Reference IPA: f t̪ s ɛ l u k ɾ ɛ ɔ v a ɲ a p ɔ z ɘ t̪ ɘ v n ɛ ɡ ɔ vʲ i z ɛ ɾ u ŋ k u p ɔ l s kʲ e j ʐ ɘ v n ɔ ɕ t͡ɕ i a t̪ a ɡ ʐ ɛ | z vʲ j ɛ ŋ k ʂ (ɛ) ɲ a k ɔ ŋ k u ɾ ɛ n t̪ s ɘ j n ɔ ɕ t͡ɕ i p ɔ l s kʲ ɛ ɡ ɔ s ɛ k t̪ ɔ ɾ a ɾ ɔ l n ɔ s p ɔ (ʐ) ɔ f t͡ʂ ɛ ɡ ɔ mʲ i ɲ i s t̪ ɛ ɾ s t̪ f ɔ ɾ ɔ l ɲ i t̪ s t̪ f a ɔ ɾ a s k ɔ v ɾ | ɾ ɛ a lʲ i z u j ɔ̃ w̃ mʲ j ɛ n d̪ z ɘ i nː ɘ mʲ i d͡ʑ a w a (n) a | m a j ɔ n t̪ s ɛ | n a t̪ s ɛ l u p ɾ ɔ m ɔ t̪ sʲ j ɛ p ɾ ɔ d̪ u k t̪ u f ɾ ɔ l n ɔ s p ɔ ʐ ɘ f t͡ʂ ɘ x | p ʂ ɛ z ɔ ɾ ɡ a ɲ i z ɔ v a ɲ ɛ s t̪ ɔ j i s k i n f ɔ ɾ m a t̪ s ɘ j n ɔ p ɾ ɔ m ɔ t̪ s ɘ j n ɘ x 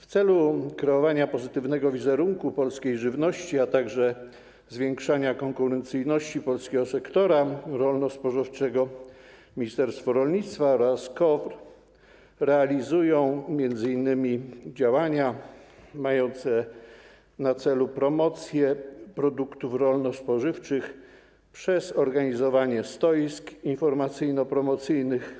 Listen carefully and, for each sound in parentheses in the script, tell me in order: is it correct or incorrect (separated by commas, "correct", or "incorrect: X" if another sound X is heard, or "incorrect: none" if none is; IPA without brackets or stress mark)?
incorrect: a, correct, incorrect: ɲ